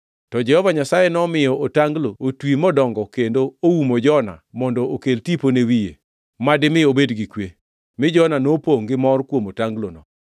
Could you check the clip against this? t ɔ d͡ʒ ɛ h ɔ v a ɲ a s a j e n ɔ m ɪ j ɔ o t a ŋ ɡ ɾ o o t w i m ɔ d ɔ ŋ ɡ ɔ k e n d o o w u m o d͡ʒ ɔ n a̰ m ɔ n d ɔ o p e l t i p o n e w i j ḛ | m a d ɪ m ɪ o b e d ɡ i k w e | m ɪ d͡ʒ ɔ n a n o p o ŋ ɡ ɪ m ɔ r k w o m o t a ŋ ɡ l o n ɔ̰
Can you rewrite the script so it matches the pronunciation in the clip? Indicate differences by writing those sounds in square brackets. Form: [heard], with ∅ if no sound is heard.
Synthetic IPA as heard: t ɔ d͡ʒ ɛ h ɔ v a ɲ a s a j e n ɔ m ɪ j ɔ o t a ŋ ɡ [l] o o t w i m ɔ d ɔ ŋ ɡ ɔ k e n d o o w u m o d͡ʒ ɔ n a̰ m ɔ n d ɔ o [k] e l t i p o n e w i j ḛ | m a d ɪ m ɪ o b e d ɡ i k w e | m ɪ d͡ʒ ɔ n a n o p o ŋ ɡ ɪ m ɔ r k w o m o t a ŋ ɡ l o n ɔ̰